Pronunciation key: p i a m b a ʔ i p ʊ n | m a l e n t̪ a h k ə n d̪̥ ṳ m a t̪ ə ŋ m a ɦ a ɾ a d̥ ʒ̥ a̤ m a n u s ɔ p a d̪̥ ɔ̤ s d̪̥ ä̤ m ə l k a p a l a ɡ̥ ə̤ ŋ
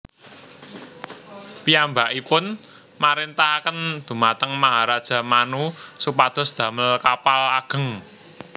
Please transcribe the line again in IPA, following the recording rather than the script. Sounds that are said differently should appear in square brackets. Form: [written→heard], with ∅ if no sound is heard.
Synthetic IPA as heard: p i a m b a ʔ i p ʊ n | m a [l→ɾ] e n t̪ a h k ə n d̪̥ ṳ m a t̪ ə ŋ m a ɦ a ɾ a d̥ ʒ̥ a̤ m a n u s [ɔ→u] p a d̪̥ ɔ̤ s d̪̥ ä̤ m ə l k a p a l a ɡ̥ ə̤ ŋ